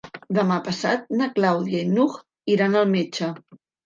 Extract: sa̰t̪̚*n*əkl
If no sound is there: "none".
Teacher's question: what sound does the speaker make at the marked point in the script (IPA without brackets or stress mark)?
n